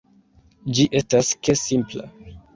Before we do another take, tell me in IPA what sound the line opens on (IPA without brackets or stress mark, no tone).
d͡ʒ